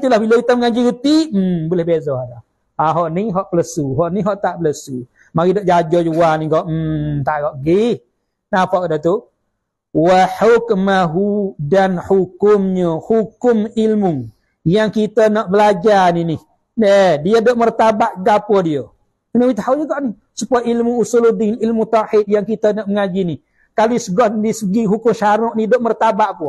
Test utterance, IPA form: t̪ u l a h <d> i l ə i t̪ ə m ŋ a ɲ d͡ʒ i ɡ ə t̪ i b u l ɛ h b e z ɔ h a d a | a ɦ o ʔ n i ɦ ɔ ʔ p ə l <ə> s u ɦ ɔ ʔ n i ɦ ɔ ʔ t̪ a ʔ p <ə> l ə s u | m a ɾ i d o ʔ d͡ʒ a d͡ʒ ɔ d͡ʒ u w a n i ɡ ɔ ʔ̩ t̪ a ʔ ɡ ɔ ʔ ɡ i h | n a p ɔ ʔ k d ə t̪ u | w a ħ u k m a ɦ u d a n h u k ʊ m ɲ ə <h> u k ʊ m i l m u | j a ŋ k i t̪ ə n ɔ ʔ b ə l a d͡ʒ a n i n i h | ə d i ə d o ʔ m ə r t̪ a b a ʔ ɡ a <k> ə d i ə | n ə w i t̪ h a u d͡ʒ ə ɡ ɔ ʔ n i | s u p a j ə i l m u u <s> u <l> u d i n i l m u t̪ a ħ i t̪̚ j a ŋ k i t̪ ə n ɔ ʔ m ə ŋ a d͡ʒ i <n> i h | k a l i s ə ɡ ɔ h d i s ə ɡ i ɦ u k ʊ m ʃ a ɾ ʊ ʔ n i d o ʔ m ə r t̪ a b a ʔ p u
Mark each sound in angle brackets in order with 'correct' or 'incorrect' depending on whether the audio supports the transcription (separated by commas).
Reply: incorrect, correct, correct, correct, incorrect, correct, correct, correct